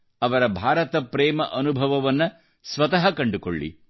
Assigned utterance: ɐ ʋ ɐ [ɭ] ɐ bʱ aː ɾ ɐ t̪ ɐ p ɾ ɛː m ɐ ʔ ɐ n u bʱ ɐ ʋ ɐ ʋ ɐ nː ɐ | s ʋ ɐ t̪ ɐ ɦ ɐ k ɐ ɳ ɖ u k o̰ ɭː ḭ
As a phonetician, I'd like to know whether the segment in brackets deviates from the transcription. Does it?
yes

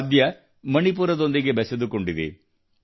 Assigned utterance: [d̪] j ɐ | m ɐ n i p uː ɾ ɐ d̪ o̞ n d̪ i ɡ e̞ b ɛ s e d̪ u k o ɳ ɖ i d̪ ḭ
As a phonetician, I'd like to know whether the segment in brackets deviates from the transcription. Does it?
no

